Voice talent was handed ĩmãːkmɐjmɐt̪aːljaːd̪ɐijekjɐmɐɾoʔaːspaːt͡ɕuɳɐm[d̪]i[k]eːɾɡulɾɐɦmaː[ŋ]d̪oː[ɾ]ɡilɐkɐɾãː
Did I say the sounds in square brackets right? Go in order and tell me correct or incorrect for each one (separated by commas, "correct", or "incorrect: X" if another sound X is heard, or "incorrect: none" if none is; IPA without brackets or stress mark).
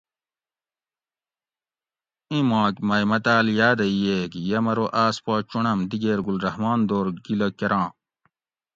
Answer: correct, incorrect: ɡ, incorrect: n, correct